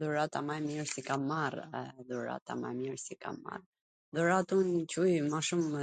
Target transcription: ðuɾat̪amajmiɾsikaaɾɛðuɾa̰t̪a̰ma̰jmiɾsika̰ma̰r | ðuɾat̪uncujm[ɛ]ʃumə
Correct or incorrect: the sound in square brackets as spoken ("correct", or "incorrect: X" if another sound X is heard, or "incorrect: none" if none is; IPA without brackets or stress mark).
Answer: incorrect: a